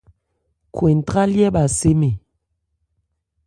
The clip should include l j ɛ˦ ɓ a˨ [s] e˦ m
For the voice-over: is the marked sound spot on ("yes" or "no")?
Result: yes